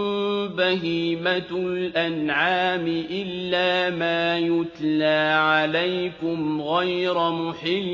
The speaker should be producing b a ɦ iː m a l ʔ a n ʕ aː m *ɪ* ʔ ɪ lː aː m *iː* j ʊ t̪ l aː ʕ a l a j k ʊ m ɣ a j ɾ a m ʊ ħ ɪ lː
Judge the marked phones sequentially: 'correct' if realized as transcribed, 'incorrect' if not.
correct, incorrect

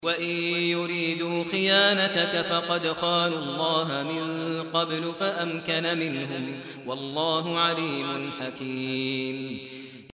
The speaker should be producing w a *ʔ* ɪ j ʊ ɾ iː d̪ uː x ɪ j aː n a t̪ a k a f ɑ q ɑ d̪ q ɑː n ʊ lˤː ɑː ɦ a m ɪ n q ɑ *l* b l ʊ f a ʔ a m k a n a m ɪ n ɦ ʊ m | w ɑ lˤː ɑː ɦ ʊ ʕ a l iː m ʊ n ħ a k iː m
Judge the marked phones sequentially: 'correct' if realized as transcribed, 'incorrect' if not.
correct, incorrect

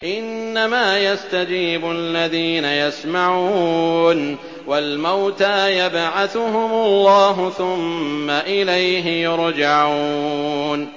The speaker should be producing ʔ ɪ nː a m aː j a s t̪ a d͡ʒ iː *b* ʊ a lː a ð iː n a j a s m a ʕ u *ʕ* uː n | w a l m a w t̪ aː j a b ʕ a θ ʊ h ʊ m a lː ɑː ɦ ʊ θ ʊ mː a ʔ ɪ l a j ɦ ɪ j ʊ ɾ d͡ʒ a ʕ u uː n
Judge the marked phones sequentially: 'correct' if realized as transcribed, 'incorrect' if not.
correct, incorrect

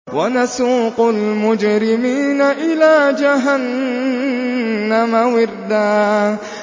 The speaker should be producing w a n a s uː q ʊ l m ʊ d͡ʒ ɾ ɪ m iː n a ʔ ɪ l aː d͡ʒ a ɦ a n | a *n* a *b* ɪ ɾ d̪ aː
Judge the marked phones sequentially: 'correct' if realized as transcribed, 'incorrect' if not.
incorrect, incorrect

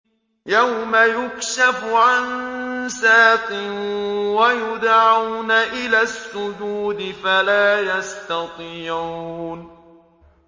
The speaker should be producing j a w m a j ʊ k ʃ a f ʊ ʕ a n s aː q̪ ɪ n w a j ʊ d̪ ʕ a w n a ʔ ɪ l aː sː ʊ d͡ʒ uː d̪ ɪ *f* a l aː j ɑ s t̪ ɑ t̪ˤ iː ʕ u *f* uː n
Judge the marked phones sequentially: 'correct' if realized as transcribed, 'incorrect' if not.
correct, incorrect

